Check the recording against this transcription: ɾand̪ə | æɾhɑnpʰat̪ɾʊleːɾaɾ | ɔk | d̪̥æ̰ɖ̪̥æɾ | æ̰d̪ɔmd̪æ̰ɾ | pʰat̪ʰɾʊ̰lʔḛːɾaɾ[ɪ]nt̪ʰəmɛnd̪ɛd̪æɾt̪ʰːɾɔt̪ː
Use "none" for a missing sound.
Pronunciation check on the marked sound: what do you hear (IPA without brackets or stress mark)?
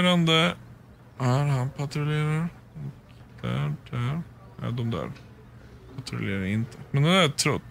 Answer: ɪ